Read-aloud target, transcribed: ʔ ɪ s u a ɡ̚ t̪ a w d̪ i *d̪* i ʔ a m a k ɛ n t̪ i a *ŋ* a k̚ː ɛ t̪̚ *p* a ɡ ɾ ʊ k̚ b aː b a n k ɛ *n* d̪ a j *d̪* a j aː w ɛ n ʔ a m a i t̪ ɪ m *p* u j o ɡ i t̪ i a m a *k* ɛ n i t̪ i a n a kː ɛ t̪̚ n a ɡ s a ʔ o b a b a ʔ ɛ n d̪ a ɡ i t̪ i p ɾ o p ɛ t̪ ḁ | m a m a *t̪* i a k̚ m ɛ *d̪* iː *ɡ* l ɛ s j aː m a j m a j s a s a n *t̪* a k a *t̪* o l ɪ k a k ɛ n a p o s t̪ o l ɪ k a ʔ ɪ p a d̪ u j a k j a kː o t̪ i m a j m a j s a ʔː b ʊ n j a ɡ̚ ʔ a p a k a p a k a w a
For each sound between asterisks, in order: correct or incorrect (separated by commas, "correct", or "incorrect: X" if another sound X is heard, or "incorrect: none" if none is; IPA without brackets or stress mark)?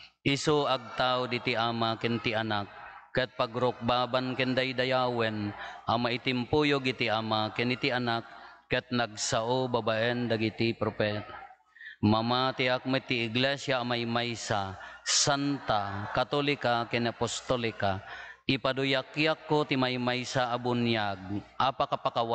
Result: incorrect: t̪, incorrect: n, correct, correct, correct, correct, correct, correct, incorrect: t̪, correct, correct, correct